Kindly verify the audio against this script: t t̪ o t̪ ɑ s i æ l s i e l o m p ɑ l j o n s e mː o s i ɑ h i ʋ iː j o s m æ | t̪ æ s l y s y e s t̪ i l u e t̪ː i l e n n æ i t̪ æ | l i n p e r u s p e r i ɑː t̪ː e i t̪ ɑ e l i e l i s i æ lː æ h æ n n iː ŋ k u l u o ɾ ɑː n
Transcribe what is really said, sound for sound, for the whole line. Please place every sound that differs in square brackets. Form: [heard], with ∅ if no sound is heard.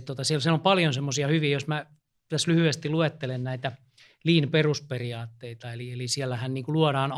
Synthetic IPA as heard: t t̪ o t̪ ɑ s i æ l s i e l o m p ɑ l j o n s e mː o s i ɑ h [y] ʋ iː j o s m æ | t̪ æ s l y [h] y e s t̪ i l u e t̪ː [e] l e n n æ i t̪ æ | l [iː] n p e r u s p e r i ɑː t̪ː e i t̪ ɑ e l i e l i s i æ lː æ h æ n n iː ŋ k u l u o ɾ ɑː n